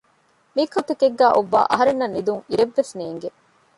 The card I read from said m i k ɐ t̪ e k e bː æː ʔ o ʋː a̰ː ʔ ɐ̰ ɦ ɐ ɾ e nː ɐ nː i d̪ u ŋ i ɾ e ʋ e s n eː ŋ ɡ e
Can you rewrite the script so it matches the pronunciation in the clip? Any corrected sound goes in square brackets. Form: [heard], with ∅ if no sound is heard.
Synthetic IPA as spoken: m i k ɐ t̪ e k e [ɡː] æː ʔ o ʋː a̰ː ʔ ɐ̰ ɦ ɐ ɾ e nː ɐ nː i d̪ u ŋ i ɾ e [ʋː] e s n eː ŋ ɡ e